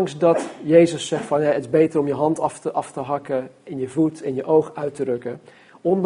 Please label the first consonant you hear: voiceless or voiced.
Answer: voiced